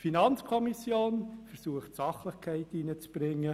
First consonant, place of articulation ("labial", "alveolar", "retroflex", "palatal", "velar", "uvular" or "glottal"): labial